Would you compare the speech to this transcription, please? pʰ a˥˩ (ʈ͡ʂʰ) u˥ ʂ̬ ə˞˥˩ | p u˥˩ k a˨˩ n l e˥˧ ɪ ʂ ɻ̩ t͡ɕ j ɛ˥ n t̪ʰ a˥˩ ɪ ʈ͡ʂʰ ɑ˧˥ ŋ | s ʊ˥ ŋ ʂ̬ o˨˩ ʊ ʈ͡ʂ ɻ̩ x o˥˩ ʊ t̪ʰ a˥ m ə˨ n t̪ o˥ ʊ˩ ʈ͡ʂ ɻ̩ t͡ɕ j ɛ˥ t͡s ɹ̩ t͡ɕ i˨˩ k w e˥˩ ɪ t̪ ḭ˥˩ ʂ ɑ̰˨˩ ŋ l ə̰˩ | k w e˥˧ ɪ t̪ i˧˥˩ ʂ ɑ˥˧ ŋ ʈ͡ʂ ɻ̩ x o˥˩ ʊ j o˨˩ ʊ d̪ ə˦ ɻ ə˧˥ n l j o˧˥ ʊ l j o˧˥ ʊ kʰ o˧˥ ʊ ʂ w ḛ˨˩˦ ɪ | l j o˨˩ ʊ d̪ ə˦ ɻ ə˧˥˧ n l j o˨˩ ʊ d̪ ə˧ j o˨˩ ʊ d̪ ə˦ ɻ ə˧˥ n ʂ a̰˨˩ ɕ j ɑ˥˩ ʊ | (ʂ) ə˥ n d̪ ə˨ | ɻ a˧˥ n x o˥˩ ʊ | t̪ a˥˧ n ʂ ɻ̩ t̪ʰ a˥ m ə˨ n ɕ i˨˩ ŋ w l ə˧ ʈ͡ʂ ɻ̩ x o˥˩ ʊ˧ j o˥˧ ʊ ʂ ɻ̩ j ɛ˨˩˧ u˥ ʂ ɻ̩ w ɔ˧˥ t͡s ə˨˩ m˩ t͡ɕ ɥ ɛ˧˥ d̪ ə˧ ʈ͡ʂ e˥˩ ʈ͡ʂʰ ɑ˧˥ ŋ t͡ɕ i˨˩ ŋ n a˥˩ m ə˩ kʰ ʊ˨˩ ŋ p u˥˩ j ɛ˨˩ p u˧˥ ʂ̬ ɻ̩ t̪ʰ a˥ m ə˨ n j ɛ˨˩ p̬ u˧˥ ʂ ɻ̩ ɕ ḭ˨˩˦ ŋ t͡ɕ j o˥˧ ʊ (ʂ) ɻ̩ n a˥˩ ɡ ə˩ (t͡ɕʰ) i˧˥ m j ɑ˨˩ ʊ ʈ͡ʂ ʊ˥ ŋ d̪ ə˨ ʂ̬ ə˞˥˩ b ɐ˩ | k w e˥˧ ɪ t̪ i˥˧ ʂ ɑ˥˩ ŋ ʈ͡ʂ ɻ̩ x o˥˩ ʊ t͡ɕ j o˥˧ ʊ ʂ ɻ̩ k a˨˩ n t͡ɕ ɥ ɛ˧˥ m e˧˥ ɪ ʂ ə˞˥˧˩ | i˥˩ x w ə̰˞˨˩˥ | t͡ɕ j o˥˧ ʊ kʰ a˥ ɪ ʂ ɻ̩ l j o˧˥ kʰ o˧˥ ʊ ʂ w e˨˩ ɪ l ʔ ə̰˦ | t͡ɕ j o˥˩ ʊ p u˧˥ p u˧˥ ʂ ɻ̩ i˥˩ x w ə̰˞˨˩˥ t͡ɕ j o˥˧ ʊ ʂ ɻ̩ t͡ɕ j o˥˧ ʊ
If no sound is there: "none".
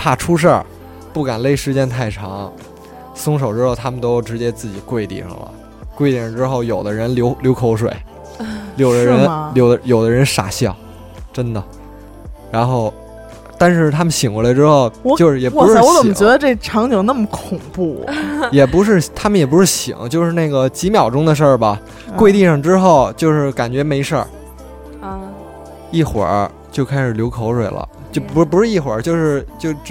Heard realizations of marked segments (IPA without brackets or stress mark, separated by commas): ʈ͡ʂʰ, ʈ͡ʂ, ʂ, t͡ɕ